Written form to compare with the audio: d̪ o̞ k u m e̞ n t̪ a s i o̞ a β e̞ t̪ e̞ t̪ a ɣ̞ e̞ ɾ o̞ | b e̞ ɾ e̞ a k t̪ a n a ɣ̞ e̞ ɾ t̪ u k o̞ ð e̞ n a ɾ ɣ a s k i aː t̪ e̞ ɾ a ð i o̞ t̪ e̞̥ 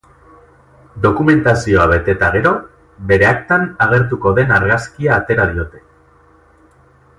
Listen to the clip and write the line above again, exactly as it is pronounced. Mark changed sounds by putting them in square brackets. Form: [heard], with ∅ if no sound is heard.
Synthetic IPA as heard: d̪ o̞ k u m e̞ n t̪ a s i o̞ a β e̞ t̪ e̞ t̪ a ɣ̞ e̞ ɾ o̞ | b e̞ ɾ e̞ a k t̪ a n a ɣ̞ e̞ ɾ t̪ u k o̞ ð e̞ n a ɾ ɣ a s k i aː t̪ e̞ ɾ a ð i o̞ t̪ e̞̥